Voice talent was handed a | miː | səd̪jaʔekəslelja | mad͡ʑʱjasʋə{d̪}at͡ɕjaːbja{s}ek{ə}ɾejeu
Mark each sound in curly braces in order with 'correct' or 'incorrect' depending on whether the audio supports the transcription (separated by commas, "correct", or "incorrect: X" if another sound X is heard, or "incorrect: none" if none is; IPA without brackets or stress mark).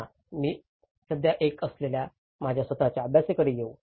incorrect: t̪, correct, correct